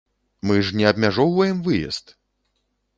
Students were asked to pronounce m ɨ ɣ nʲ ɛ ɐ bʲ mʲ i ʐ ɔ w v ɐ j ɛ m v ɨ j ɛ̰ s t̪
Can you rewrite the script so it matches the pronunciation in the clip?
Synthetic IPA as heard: m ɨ ʐ nʲ ɛ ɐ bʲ mʲ a ʐ ɔ w v ɐ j ɛ m v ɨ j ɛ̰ s t̪